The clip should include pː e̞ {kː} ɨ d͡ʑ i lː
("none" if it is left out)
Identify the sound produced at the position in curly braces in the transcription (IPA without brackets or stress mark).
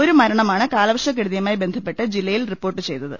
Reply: ʈː